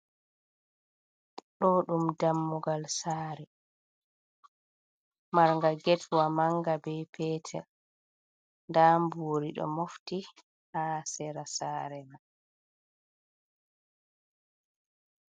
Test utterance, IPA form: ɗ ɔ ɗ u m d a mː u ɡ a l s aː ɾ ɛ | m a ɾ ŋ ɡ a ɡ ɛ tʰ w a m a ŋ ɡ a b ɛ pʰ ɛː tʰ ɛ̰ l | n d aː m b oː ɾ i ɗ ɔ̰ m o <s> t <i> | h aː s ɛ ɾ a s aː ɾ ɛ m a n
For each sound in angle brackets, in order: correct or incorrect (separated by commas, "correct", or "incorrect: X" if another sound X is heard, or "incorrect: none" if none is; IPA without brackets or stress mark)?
incorrect: f, correct